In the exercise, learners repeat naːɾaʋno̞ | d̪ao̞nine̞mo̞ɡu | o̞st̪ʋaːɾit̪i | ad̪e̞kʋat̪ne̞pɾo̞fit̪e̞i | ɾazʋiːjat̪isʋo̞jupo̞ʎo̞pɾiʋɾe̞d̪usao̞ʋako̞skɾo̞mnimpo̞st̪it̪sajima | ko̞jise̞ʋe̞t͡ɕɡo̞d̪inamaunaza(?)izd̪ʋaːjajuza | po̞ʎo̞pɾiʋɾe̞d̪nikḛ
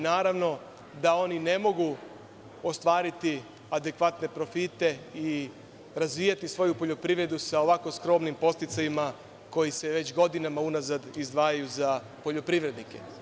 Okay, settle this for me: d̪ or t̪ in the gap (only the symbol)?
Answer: d̪